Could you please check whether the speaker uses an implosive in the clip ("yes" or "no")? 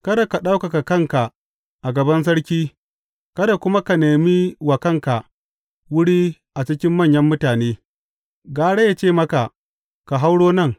yes